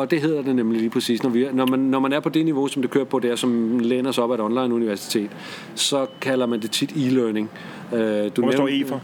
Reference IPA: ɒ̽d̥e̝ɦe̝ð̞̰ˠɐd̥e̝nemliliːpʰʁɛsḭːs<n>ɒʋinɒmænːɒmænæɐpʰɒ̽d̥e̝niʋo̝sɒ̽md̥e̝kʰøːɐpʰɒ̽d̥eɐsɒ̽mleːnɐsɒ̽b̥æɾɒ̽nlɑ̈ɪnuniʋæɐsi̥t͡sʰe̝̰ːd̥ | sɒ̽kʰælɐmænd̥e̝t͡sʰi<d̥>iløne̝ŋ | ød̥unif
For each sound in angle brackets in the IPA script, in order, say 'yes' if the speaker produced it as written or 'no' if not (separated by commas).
yes, yes